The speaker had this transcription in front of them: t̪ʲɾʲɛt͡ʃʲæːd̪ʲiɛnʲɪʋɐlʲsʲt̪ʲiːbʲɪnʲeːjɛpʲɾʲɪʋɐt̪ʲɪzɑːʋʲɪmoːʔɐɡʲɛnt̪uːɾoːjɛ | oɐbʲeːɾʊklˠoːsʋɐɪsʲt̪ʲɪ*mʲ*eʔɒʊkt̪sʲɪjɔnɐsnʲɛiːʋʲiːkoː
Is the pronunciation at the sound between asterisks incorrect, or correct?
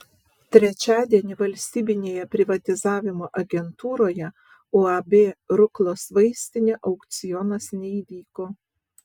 incorrect: nʲ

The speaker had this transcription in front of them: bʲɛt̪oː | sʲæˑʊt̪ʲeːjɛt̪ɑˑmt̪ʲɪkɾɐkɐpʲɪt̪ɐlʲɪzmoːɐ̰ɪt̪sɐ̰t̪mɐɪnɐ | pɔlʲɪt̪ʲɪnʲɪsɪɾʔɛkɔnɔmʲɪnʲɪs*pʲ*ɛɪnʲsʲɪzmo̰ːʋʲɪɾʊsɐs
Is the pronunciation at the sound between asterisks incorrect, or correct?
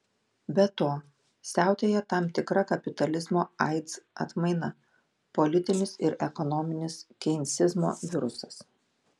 incorrect: kʲ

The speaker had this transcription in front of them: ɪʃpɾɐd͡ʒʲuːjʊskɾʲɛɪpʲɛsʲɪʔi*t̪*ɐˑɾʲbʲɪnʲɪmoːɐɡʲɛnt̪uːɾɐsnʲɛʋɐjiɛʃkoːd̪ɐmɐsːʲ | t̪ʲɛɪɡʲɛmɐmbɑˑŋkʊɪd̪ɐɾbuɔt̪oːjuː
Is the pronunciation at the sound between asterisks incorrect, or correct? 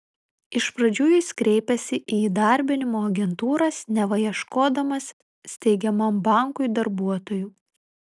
incorrect: d̪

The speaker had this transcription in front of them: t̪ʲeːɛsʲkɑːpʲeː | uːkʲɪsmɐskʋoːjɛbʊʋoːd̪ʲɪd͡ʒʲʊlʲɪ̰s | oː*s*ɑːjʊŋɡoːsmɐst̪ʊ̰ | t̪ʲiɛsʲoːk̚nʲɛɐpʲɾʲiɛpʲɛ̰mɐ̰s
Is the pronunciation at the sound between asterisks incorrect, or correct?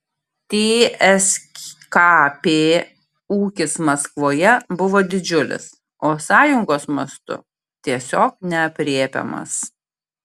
correct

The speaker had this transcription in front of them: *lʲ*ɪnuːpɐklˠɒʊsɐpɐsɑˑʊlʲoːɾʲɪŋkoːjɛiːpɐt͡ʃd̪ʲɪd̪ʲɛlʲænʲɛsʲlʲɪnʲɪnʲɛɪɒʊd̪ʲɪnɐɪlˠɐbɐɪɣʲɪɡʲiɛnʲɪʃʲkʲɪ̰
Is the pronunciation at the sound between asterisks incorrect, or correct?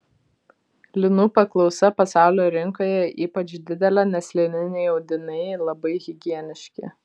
correct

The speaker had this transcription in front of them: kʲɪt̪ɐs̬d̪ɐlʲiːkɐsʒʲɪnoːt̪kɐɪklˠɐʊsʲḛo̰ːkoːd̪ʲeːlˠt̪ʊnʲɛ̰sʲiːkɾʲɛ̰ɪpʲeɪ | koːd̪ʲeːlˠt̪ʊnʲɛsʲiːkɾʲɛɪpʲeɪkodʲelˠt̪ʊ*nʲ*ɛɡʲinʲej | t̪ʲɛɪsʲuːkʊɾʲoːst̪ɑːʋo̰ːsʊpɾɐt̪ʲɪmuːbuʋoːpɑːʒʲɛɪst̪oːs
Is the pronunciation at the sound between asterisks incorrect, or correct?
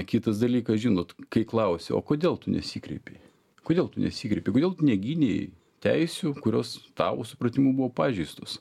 correct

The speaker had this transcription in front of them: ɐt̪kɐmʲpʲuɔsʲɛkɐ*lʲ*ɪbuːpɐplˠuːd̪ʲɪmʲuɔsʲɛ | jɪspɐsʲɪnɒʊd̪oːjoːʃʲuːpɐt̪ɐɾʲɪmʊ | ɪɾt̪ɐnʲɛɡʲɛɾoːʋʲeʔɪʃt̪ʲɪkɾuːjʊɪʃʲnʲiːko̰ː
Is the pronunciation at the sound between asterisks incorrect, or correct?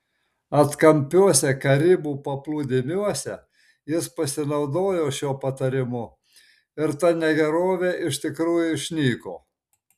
incorrect: ɾʲ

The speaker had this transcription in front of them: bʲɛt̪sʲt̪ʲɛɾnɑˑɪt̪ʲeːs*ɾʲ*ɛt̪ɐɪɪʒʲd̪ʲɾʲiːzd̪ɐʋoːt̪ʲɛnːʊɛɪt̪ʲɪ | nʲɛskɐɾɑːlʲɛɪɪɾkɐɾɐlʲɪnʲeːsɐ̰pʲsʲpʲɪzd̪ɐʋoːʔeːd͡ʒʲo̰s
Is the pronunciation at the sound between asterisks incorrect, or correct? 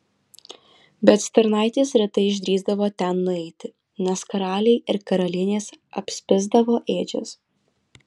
correct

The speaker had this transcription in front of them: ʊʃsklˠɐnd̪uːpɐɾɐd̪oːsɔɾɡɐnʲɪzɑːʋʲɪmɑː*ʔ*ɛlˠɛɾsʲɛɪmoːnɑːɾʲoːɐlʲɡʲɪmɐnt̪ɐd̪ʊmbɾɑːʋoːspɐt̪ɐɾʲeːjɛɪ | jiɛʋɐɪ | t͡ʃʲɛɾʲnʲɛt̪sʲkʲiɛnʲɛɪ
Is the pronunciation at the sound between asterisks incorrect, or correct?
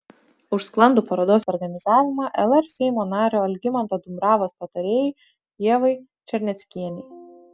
correct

